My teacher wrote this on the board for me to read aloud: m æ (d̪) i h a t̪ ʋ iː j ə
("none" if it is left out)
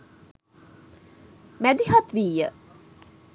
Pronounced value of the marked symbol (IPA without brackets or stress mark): d̪